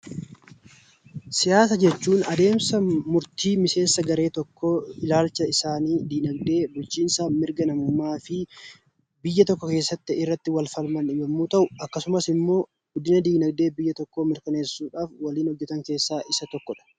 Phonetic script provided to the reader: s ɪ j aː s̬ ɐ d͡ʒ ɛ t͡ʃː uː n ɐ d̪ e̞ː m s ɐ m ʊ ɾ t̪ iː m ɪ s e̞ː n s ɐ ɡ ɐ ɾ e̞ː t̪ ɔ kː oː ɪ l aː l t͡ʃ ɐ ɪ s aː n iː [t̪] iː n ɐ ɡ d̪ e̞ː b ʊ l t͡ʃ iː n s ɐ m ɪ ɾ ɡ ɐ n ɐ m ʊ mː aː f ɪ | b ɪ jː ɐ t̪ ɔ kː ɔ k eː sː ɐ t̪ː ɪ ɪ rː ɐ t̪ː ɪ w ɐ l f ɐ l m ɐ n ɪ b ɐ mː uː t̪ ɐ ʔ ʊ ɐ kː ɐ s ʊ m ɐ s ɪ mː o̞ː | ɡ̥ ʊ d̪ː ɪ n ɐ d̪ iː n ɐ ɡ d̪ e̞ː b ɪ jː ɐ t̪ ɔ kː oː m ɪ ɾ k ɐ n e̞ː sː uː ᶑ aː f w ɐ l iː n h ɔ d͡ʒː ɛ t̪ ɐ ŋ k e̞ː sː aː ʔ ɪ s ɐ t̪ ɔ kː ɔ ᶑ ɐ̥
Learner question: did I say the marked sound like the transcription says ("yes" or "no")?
no